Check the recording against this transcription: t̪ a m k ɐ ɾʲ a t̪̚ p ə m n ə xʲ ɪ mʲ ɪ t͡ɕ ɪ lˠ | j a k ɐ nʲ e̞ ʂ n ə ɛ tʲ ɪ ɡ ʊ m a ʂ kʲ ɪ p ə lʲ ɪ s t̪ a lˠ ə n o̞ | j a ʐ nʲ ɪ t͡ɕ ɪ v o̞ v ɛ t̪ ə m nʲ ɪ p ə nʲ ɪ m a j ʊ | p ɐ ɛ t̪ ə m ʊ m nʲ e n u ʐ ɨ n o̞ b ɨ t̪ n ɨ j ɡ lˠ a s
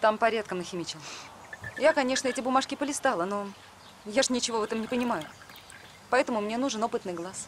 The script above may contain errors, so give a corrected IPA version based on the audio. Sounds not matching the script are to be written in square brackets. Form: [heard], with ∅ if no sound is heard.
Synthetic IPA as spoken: t̪ a m [p] ɐ ɾʲ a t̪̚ [k] ə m n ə xʲ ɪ mʲ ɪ t͡ɕ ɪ lˠ | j a k ɐ nʲ e̞ ʂ n ə ɛ tʲ ɪ [b] ʊ m a ʂ kʲ ɪ p ə lʲ ɪ s t̪ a lˠ ə n o̞ | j a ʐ nʲ ɪ t͡ɕ ɪ v o̞ v ɛ t̪ ə m nʲ ɪ p ə nʲ ɪ m a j ʊ | p ɐ ɛ t̪ ə m ʊ m nʲ e n u ʐ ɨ n o̞ [p] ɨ t̪ n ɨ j ɡ lˠ a s